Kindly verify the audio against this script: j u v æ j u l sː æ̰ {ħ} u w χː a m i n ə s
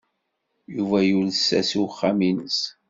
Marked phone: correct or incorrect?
incorrect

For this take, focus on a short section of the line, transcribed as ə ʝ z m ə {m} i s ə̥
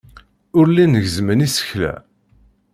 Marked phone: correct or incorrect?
incorrect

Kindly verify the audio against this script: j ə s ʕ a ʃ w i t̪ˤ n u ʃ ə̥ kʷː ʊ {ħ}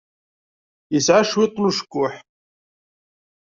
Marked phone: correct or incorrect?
correct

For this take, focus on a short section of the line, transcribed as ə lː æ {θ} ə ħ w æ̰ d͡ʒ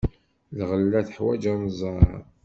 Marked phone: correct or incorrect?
correct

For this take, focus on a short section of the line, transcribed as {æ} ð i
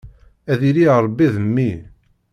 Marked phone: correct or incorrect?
correct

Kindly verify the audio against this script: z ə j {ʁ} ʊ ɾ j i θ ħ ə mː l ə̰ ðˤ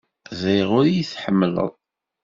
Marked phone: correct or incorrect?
correct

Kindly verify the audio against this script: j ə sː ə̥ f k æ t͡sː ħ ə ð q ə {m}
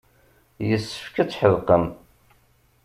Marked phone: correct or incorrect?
correct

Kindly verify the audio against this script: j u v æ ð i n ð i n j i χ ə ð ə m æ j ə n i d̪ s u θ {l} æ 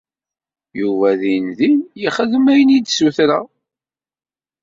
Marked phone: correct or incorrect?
incorrect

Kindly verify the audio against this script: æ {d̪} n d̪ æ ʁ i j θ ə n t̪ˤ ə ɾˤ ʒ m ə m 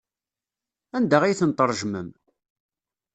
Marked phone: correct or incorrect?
incorrect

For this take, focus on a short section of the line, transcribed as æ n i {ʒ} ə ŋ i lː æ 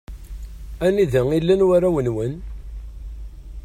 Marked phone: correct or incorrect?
incorrect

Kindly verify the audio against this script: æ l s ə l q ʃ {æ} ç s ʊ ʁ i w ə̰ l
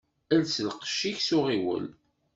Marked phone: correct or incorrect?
incorrect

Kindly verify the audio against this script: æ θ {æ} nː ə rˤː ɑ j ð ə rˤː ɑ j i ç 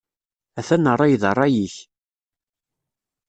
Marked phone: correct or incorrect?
correct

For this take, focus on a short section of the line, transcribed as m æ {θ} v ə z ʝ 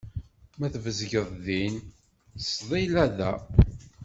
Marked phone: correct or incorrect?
correct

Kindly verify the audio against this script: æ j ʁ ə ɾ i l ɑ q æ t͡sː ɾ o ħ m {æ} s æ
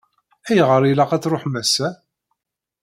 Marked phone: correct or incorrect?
correct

